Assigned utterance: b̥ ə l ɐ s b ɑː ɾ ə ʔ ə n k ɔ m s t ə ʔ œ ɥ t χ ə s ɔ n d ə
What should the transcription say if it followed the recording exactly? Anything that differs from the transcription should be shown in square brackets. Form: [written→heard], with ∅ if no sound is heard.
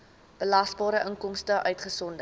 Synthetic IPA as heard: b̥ ə l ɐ s b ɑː ɾ ə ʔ ə [n→ŋ] k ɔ m s t ə ʔ œ ɥ t χ ə s ɔ n d ə